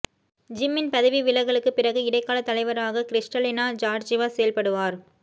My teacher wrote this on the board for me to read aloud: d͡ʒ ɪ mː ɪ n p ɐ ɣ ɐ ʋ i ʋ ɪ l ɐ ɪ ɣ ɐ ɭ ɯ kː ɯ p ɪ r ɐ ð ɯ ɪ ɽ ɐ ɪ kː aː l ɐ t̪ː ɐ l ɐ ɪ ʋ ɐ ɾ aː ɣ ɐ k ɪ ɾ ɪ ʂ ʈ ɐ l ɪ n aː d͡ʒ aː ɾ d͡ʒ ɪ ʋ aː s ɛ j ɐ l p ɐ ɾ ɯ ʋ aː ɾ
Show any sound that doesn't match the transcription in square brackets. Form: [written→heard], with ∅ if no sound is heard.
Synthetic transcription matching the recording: d͡ʒ ɪ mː ɪ n p ɐ [ɣ→ð] ɐ ʋ i ʋ ɪ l ɐ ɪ ɣ ɐ ɭ ɯ kː ɯ p ɪ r ɐ [ð→ɣ] ɯ ɪ ɽ ɐ ɪ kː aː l ɐ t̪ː ɐ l ɐ ɪ ʋ ɐ ɾ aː ɣ ɐ k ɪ ɾ ɪ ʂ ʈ ɐ l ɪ n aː d͡ʒ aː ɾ d͡ʒ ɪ ʋ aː s ɛ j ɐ l p ɐ [ɾ→ɽ] ɯ ʋ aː ɾ